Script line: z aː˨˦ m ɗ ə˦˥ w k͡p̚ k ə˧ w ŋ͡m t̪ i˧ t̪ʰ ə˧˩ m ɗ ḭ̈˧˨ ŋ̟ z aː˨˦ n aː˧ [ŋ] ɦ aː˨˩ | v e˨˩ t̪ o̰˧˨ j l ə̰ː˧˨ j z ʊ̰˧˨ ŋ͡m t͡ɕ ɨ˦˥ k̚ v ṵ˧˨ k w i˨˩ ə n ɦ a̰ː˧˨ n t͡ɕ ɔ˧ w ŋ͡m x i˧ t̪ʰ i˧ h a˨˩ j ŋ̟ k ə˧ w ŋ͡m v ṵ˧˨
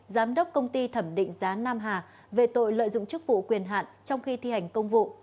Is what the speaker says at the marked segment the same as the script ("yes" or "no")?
no